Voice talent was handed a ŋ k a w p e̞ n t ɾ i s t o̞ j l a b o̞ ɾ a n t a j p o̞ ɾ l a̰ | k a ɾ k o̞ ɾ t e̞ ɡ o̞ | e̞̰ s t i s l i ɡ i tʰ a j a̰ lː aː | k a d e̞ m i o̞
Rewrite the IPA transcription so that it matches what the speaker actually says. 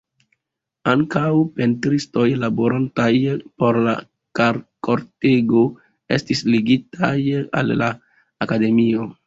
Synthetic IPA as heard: a ŋ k a w p e̞ n t ɾ i s t o̞ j l a b o̞ ɾ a n t a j p o̞ ɾ l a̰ | k a ɾ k o̞ ɾ t e̞ ɡ o̞ | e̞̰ s t i s l i ɡ i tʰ a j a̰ lː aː | k a d e̞ m i o̞